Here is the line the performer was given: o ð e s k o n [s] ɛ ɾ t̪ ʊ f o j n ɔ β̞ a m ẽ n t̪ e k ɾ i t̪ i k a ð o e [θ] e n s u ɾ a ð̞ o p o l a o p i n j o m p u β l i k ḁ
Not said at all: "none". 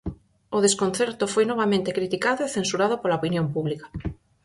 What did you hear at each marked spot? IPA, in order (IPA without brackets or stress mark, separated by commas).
θ, θ